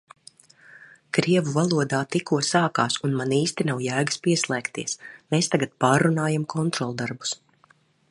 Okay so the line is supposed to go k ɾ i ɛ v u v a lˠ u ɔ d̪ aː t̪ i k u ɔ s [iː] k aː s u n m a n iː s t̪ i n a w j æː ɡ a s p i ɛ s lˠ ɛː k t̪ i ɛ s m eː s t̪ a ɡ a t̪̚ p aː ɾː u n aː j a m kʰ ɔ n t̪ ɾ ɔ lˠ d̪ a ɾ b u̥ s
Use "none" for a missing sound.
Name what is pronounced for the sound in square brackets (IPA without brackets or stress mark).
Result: aː